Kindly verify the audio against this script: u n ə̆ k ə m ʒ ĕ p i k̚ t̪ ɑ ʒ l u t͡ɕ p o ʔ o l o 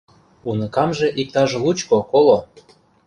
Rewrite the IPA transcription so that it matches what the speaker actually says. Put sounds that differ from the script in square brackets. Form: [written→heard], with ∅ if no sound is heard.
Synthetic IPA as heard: u n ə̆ k [ə→ɑ] m ʒ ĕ [p→ʔ] i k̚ t̪ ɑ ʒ l u t͡ɕ [p→k] o [ʔ→k] o l o

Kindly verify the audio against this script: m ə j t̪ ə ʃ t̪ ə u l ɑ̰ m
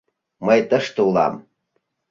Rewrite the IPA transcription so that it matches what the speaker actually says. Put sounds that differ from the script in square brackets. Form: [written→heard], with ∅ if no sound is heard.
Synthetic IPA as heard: m ə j t̪ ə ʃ t̪ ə u l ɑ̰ m

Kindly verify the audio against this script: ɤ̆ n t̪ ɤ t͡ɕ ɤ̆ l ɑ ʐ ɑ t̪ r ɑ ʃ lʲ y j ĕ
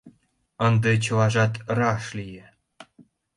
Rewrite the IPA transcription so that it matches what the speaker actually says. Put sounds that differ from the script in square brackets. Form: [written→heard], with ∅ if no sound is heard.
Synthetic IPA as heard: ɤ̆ n [t̪→d̪] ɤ t͡ɕ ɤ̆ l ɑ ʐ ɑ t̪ r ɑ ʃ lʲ [y→i] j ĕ

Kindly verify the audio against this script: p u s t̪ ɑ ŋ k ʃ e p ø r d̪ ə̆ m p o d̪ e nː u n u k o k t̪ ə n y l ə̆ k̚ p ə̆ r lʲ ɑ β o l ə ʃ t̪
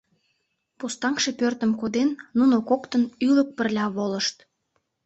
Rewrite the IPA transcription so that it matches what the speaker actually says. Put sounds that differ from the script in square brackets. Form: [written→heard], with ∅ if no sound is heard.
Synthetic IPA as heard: p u s t̪ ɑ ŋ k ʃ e p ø r [d̪→t̪] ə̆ m [p→k] o d̪ e nː u n [u→o] k o k t̪ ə n y l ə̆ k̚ p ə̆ r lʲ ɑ β o l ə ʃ t̪

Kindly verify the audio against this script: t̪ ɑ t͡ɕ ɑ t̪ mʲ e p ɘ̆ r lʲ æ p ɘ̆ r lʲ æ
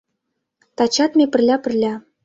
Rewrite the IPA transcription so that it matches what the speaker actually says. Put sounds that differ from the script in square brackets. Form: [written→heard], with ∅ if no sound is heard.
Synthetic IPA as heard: t̪ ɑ t͡ɕ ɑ t̪ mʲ e p ɘ̆ r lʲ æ p ɘ̆ r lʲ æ

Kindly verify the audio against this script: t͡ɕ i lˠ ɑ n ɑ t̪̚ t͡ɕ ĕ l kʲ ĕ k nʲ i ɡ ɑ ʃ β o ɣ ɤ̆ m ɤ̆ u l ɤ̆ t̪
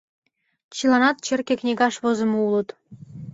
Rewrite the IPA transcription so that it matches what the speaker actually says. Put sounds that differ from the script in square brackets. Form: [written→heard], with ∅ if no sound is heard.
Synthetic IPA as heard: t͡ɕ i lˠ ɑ n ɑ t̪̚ t͡ɕ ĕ [l→r] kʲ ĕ k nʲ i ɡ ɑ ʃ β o [ɣ→z] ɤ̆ m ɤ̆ u l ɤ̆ t̪

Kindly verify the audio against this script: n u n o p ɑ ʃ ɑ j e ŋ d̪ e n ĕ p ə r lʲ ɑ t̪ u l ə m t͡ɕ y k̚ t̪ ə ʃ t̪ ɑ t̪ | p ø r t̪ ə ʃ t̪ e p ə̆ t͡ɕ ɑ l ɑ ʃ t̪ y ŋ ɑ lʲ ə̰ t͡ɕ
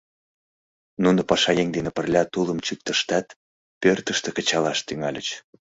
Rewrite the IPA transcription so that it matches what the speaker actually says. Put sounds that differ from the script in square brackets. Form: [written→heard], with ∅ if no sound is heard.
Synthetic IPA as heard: n u n o p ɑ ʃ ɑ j e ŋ d̪ e n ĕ p ə r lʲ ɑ t̪ u l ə m t͡ɕ y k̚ t̪ ə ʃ t̪ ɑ t̪ | p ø r t̪ ə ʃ t̪ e [p→k] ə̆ t͡ɕ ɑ l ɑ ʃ t̪ y ŋ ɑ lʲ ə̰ t͡ɕ

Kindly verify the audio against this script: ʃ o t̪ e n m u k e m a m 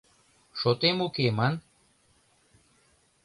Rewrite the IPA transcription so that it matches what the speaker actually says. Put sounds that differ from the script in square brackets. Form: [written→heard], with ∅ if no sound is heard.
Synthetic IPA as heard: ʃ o t̪ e [n→∅] m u k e m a [m→n]

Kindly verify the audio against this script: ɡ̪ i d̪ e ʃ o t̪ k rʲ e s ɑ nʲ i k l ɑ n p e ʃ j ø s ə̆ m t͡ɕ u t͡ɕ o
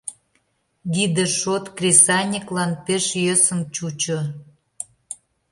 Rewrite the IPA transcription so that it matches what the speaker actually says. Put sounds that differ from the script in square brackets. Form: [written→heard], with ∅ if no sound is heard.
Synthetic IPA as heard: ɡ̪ i d̪ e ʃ o t̪ k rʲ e s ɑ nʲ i k l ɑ n p e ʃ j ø s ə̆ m t͡ɕ u t͡ɕ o

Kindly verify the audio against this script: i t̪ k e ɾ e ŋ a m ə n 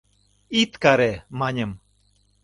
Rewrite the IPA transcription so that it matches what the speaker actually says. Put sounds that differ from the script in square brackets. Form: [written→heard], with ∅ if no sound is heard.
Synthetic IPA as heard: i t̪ k [e→a] ɾ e [ŋ→m] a [m→ɲ] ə [n→m]

